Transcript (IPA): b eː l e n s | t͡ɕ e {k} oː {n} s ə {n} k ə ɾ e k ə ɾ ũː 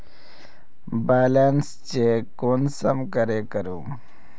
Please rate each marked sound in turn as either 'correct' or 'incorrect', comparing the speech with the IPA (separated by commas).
correct, correct, incorrect